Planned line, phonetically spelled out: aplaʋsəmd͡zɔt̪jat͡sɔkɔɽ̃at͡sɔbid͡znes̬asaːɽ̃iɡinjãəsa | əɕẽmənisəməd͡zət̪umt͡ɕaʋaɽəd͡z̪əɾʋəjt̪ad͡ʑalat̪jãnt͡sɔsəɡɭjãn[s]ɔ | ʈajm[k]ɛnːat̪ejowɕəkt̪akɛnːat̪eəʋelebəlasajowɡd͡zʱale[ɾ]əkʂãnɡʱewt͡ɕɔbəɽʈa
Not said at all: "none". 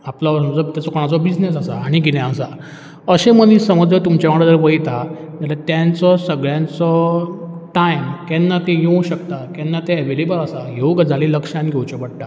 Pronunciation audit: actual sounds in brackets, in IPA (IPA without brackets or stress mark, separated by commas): t͡s, k, l